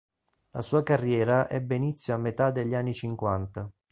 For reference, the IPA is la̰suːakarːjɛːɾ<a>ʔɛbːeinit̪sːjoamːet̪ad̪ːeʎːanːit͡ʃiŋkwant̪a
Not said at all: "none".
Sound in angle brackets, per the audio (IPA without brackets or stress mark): a